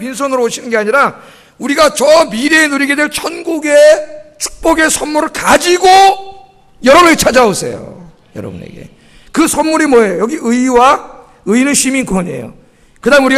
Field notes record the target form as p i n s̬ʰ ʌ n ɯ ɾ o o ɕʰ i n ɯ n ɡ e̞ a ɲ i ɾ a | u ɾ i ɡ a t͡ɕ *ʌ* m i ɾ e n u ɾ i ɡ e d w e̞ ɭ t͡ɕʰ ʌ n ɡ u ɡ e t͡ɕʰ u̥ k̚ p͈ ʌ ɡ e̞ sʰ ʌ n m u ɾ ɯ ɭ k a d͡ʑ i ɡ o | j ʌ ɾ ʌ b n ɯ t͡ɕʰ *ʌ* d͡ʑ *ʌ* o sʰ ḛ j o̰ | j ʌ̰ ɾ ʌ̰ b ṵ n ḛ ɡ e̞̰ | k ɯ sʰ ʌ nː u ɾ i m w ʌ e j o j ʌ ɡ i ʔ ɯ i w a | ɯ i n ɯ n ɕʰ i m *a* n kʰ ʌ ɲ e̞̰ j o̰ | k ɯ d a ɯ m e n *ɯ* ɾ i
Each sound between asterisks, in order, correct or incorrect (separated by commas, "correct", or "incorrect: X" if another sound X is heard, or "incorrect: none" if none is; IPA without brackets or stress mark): correct, incorrect: a, incorrect: a, incorrect: i, incorrect: u